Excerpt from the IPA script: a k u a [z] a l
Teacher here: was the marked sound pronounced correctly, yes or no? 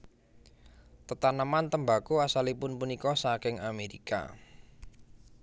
no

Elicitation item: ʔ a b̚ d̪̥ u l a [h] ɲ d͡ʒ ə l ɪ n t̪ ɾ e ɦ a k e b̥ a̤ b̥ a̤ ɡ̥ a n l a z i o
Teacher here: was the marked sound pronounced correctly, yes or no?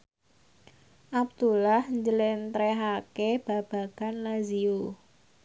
yes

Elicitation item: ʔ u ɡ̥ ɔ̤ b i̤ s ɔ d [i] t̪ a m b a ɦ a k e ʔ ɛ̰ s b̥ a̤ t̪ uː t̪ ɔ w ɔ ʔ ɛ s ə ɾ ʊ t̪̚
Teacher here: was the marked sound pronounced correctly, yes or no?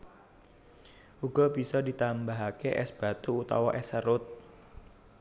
yes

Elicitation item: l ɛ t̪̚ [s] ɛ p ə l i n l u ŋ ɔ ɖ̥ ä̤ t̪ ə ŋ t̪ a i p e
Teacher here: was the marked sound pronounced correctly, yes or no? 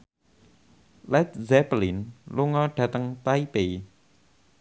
no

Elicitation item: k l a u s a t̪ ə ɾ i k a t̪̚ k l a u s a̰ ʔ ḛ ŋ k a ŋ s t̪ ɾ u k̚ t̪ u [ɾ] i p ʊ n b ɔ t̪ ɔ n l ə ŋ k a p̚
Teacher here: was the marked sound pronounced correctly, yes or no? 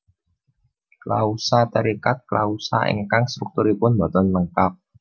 yes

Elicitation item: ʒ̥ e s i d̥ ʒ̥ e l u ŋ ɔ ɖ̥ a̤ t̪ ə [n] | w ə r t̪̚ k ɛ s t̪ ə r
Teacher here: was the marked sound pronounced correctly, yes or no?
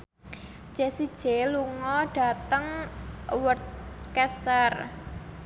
no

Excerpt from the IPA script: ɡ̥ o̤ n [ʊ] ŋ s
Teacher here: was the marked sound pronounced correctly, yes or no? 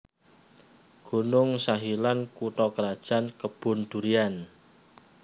yes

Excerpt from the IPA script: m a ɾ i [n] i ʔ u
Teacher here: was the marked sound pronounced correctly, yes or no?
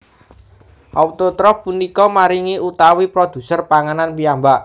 no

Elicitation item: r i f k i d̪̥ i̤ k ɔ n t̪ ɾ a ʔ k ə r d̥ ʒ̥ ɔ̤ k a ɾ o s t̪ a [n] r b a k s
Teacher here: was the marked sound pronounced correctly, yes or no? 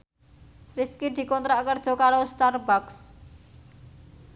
no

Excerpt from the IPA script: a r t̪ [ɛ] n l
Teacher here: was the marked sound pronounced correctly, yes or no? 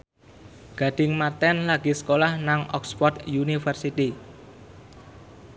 yes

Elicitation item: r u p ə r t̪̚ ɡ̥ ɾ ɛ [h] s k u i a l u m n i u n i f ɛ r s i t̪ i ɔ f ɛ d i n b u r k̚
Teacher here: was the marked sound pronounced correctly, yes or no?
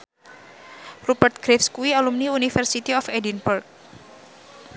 no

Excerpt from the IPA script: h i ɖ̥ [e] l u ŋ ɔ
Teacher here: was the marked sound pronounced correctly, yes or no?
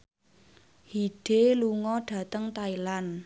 yes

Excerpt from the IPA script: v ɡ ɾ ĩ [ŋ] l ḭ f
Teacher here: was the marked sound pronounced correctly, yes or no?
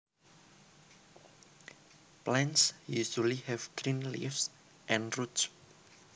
no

